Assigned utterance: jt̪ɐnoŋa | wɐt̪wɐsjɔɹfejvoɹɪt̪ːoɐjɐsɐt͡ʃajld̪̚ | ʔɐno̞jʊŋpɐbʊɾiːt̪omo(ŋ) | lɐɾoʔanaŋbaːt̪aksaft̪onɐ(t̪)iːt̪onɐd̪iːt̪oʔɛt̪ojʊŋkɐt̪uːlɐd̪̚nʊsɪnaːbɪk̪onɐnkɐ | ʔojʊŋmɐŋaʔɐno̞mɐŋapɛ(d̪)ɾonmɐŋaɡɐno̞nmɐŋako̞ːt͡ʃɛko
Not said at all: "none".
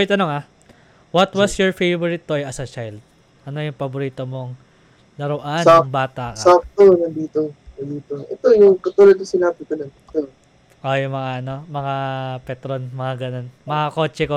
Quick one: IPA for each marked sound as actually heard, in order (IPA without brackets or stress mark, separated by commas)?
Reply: ŋ, d̪, t̪